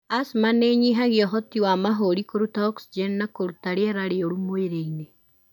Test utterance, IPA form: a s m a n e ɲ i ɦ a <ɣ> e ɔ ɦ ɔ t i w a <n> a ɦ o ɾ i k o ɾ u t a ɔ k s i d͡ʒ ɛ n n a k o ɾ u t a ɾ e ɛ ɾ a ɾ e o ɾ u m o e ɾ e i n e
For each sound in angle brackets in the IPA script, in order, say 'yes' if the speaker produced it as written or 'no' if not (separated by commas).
yes, no